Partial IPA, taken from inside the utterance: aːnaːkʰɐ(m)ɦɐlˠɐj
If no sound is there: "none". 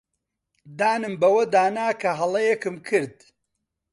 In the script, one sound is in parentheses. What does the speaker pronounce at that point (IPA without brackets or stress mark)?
none